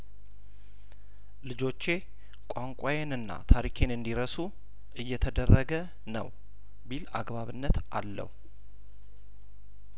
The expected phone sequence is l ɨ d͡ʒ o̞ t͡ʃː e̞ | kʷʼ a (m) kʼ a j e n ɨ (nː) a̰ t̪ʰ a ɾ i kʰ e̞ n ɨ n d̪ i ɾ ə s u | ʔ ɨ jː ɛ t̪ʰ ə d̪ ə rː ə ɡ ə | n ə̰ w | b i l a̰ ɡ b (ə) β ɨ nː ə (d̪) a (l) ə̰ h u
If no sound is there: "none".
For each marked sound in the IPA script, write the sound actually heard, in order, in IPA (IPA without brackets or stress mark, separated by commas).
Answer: ŋ, nː, a, t̪, lː